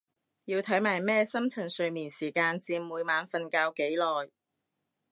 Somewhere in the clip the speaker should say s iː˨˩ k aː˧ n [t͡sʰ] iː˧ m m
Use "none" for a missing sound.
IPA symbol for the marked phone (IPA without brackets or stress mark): t͡s